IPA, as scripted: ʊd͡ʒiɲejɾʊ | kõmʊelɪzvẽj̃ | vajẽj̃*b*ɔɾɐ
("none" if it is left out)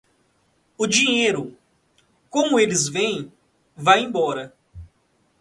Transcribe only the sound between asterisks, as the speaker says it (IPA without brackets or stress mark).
b